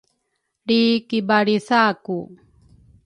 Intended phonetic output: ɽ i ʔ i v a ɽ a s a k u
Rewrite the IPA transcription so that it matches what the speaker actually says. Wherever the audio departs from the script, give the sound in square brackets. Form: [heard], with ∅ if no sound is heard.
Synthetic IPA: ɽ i [k] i [b] a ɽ [i] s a k u